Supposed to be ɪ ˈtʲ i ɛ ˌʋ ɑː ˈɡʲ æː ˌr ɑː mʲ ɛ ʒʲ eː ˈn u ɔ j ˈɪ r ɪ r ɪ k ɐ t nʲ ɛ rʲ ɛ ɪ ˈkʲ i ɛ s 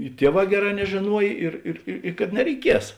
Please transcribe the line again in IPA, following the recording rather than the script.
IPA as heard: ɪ ˈtʲ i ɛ ˌʋ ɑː ˈɡʲ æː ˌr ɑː nʲ ɛ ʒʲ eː ˈn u ɔ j ˈɪ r ɪ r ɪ k ɐ t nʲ ɛ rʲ ɛ ɪ ˈkʲ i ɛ s